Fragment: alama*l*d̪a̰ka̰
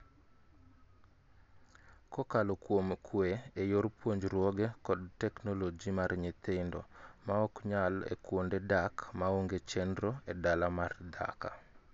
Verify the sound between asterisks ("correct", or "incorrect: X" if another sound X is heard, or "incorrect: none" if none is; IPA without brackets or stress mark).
incorrect: r